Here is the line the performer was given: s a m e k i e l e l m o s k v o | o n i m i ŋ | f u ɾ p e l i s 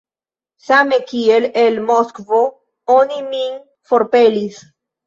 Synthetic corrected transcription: s a m e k i e l e l m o s k v o | o n i m i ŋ | f o ɾ p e l i s